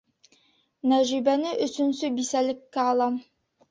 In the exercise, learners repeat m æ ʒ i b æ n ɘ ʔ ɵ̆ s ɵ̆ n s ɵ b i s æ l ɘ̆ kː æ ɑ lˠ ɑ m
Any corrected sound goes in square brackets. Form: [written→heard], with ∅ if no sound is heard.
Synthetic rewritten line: [m→n] æ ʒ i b æ n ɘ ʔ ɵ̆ s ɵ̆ n s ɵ b i s æ l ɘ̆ kː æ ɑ lˠ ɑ m